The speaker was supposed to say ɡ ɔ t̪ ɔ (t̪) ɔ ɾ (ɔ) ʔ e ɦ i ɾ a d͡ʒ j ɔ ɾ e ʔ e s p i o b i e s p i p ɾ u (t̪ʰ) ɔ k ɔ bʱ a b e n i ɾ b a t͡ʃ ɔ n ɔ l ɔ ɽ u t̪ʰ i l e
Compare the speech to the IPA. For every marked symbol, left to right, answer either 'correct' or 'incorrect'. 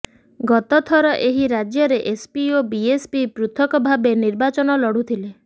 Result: incorrect, correct, correct

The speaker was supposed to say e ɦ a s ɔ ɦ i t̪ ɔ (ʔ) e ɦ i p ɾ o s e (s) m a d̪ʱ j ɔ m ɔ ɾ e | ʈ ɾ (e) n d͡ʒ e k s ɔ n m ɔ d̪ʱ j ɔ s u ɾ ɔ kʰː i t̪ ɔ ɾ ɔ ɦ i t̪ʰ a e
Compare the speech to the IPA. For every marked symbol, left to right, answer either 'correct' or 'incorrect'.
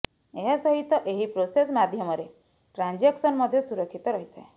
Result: correct, correct, incorrect

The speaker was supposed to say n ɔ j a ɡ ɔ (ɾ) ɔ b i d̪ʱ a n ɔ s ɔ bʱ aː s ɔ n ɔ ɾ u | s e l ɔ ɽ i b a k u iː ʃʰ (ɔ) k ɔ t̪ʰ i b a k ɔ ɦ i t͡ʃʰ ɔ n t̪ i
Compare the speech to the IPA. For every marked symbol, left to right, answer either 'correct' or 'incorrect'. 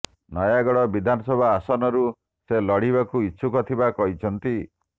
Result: incorrect, incorrect

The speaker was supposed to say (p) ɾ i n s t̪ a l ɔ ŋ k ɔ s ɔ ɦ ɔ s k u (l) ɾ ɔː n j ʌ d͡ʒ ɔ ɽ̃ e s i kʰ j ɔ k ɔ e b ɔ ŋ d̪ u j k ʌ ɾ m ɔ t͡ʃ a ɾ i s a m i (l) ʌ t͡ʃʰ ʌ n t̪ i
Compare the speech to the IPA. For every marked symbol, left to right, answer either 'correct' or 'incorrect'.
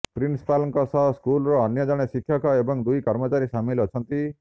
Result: correct, correct, correct

